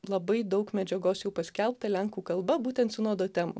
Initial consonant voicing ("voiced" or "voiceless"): voiced